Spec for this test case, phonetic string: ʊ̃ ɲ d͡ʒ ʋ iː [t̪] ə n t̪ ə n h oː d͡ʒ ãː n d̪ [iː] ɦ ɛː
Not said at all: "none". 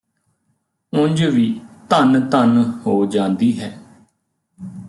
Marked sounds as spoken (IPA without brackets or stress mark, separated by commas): t̪, iː